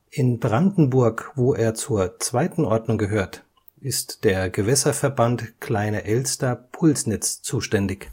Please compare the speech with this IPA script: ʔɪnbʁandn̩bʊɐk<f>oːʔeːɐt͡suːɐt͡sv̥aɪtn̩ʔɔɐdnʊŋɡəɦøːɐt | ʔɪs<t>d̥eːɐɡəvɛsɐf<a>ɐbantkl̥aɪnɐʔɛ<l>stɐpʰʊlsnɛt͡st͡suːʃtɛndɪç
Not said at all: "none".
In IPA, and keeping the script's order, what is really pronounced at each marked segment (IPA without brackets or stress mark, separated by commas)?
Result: v, t, ɛ, l